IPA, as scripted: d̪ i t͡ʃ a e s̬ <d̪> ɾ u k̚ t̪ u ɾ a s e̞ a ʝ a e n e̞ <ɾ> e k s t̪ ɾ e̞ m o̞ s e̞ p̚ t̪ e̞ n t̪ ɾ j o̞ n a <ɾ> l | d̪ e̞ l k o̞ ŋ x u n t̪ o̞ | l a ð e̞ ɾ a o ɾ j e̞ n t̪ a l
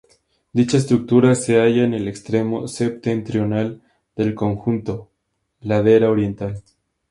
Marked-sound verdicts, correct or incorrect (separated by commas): incorrect, incorrect, incorrect